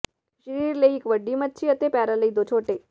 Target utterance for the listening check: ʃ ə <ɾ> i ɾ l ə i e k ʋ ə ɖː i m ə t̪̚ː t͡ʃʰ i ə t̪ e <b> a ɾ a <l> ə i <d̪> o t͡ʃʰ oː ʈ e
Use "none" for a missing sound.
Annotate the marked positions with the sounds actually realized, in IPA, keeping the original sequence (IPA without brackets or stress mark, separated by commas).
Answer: ɾ, p, l, d̪